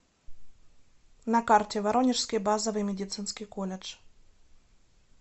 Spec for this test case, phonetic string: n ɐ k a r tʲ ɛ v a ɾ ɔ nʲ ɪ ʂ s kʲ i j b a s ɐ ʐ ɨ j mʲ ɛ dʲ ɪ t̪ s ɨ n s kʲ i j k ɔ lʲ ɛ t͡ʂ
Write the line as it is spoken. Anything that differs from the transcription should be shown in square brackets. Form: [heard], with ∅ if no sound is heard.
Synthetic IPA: n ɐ k a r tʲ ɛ v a ɾ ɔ nʲ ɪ ʂ s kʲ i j b a [z] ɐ [v] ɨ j mʲ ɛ dʲ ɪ t̪ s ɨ n s kʲ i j k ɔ lʲ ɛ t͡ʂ